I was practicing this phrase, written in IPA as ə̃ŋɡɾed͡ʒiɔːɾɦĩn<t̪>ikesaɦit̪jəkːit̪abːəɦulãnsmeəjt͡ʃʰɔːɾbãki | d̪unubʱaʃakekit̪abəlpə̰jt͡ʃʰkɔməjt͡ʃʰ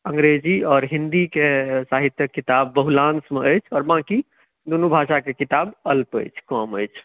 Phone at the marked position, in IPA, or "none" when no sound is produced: d̪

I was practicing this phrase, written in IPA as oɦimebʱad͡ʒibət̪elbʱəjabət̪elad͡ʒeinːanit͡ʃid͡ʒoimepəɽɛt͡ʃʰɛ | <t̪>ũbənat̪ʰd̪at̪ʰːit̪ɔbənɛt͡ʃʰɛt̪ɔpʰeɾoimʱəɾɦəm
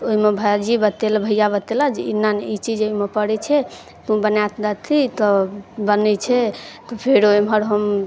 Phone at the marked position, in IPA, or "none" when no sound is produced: t̪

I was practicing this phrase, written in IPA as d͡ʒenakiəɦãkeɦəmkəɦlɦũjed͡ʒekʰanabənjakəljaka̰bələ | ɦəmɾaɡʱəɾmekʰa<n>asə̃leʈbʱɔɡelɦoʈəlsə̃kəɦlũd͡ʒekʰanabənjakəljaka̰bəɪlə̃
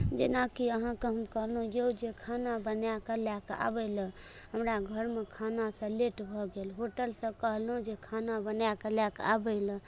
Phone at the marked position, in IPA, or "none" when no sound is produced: n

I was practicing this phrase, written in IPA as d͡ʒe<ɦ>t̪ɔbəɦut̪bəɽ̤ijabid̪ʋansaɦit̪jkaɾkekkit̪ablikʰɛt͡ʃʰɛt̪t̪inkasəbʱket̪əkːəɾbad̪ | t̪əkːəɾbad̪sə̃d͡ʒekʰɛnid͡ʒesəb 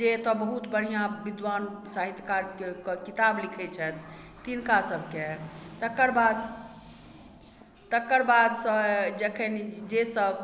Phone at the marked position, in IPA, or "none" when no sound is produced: none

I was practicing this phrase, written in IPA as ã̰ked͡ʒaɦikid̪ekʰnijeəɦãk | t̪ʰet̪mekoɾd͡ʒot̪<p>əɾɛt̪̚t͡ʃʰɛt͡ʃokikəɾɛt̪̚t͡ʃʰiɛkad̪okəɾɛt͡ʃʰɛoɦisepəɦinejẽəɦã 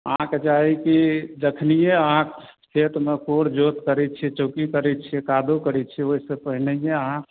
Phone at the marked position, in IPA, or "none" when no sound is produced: k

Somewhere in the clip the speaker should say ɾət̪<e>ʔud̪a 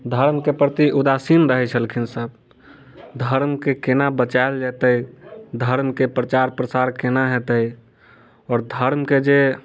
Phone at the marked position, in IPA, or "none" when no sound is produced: i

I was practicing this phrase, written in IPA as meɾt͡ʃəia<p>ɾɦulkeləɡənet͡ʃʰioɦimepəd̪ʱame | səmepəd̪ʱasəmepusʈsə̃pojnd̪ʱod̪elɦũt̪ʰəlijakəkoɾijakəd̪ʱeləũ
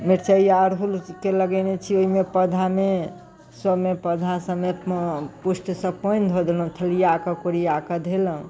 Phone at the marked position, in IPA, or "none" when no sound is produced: none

